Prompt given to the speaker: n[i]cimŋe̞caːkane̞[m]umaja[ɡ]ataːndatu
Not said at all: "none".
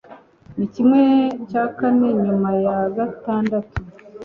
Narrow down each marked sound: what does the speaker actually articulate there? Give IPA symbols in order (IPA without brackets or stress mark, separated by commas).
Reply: i, ɲ, ɡ